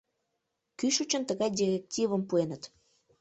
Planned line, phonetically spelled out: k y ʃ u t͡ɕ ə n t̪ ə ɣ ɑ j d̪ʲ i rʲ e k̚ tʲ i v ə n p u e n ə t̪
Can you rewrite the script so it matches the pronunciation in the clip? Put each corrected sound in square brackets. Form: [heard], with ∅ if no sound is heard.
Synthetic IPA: k y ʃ u t͡ɕ ə n t̪ ə ɣ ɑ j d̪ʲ i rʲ e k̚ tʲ i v ə [m] p u e n ə t̪